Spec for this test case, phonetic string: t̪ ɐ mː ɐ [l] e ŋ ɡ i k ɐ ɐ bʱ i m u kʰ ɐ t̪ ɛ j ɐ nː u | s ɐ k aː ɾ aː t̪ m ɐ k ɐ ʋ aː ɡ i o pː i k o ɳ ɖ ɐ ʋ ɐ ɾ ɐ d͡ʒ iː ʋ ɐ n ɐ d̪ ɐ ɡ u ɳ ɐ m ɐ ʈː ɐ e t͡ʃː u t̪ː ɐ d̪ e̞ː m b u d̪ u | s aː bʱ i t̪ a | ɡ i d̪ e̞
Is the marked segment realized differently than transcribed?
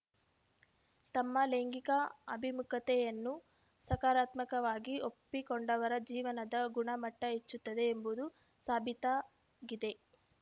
no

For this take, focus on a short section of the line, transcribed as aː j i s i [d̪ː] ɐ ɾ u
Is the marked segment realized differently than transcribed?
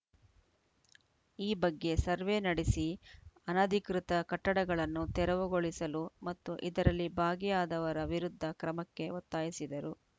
yes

